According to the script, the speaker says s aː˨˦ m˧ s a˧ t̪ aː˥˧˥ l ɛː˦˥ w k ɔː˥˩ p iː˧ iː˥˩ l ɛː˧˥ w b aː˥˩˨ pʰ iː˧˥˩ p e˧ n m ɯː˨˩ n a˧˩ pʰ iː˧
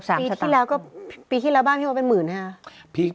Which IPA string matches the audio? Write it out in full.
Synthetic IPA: s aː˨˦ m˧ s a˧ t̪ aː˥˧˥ l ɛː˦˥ w k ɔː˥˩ p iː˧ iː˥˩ l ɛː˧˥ w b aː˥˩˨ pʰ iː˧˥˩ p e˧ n m ɯː˨˩ n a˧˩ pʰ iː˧

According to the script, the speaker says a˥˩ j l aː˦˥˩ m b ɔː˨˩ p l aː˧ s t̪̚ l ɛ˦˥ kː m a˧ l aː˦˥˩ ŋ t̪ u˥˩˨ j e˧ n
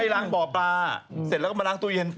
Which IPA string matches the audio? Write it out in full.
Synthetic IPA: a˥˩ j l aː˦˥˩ ŋ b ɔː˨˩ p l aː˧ s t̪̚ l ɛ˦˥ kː m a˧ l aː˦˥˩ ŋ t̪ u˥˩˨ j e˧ n

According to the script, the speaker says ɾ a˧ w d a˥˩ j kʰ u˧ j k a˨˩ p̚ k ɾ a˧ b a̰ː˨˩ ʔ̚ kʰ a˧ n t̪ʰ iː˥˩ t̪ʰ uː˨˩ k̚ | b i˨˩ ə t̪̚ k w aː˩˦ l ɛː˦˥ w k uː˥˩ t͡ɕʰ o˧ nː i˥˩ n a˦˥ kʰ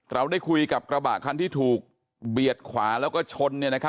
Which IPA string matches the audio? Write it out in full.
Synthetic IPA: ɾ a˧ w d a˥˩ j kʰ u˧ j k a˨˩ p̚ k ɾ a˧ b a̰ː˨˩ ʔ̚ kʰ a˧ n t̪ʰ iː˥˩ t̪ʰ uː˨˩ k̚ | b i˨˩ ə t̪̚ kʰ w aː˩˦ l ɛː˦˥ w k ɔː˥˩ t͡ɕʰ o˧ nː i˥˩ n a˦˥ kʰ

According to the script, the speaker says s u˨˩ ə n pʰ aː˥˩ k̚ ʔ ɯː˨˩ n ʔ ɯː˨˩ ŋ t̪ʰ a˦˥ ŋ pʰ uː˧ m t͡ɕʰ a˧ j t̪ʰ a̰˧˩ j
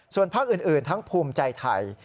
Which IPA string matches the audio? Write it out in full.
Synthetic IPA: s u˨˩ ə n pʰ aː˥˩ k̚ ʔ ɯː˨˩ n ʔ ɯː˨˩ n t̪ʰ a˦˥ ŋ pʰ uː˧ m t͡ɕ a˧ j t̪ʰ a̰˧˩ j

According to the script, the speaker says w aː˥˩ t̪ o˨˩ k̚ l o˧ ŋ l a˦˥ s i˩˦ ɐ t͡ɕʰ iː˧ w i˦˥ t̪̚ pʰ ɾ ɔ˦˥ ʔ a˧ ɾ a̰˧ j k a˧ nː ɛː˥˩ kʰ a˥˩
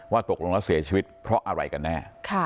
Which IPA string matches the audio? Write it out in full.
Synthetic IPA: w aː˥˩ t̪ o˨˩ k̚ l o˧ ŋ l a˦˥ s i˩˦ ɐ t͡ɕʰ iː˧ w i˦˥ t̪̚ pʰ ɾ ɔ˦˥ ʔ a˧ ɾ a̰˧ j k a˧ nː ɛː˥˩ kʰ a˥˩

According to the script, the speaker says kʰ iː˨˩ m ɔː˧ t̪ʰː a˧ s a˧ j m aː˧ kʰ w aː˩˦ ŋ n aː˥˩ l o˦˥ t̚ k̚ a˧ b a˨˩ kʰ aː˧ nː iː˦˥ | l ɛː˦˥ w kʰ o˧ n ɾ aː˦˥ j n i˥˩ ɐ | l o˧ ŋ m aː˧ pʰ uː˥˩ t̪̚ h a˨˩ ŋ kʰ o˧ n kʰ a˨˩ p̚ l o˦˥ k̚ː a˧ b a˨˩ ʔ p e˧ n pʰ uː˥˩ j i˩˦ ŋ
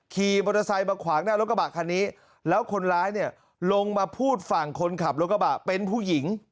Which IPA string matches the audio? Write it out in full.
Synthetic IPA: kʰ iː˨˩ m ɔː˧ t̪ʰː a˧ s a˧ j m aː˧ kʰ w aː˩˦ ŋ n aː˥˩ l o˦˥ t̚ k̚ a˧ b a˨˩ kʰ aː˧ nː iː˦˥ | l ɛː˦˥ w kʰ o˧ n ɾ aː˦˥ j n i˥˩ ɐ | l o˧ ŋ m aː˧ pʰ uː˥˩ t̪̚ f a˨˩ ŋ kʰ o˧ n kʰ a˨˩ p̚ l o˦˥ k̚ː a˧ b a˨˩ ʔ p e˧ n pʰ uː˥˩ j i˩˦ ŋ

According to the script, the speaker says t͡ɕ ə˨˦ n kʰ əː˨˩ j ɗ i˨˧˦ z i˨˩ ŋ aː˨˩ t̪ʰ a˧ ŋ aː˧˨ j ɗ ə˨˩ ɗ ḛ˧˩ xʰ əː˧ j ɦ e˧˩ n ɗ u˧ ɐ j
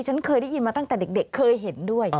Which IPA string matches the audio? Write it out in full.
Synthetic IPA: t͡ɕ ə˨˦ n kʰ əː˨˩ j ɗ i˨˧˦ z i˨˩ m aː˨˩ t̪ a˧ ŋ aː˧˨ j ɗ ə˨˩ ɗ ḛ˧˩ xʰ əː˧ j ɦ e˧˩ n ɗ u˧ ə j

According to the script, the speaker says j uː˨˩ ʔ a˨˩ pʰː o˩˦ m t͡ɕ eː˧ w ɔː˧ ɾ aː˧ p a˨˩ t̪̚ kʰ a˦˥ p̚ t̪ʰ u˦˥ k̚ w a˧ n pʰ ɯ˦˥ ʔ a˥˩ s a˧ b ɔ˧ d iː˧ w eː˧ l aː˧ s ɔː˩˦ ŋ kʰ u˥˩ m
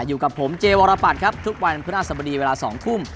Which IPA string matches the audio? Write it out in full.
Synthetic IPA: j uː˨˩ k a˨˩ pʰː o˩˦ m t͡ɕ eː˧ w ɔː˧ ɾ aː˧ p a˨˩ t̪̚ kʰ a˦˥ p̚ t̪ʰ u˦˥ k̚ w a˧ n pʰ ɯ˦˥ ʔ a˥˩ s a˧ b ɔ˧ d iː˧ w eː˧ l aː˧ s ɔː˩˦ ŋ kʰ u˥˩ m

